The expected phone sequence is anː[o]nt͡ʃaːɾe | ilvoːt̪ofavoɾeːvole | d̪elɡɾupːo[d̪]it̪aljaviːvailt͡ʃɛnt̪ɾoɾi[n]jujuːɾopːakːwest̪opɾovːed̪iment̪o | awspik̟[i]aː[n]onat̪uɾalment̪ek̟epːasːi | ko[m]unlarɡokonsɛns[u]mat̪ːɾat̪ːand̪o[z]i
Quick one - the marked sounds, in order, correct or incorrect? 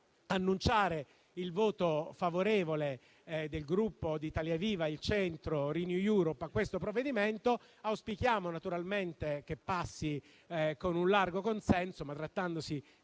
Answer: incorrect, correct, correct, incorrect, incorrect, incorrect, incorrect, incorrect

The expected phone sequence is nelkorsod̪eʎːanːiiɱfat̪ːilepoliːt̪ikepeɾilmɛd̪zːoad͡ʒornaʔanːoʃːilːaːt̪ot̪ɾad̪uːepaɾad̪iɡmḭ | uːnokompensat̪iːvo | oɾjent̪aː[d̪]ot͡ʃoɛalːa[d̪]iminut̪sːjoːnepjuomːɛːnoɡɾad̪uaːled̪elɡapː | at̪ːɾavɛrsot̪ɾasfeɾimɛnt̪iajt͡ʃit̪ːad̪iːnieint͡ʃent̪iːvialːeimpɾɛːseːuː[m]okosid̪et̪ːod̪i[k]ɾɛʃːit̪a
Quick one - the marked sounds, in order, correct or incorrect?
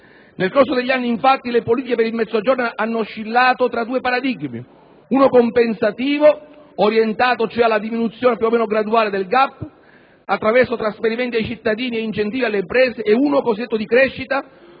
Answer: incorrect, correct, incorrect, correct

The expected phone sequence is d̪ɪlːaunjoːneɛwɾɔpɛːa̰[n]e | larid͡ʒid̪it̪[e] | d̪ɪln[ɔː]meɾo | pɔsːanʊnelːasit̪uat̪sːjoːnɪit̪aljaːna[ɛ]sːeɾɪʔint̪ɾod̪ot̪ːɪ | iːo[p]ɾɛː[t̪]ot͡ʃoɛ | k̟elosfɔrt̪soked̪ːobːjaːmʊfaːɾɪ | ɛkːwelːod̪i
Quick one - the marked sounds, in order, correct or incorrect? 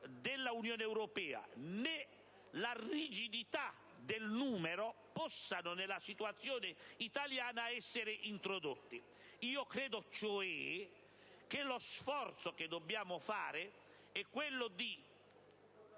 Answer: correct, incorrect, incorrect, correct, incorrect, incorrect

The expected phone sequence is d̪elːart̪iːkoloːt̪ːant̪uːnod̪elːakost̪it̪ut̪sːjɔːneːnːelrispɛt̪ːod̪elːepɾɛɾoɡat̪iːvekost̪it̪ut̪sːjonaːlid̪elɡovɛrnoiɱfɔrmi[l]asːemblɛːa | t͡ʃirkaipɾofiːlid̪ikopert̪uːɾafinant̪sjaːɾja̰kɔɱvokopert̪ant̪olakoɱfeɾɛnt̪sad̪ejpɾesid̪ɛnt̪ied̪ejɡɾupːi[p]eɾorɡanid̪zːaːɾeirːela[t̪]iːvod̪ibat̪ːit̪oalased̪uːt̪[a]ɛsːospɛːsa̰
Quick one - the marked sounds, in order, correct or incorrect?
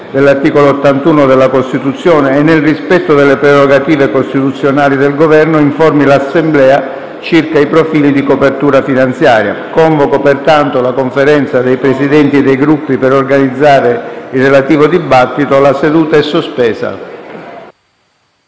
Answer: correct, correct, correct, correct

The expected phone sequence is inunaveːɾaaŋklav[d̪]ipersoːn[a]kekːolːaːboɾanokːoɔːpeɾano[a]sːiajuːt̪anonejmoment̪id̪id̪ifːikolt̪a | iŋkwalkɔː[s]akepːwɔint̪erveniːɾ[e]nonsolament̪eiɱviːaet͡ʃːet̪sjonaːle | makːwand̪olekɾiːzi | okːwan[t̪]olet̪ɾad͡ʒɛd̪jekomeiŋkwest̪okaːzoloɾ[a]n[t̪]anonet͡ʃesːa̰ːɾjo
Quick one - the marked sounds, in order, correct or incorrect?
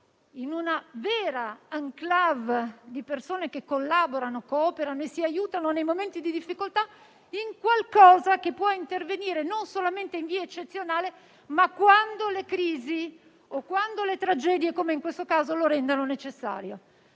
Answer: correct, incorrect, incorrect, incorrect, correct, incorrect, incorrect, incorrect

